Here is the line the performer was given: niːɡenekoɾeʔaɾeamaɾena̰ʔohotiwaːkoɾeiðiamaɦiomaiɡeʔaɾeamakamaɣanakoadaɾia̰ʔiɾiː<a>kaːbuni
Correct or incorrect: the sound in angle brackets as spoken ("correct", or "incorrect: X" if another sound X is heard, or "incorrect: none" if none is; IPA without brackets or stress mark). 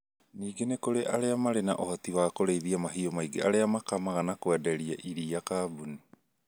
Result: correct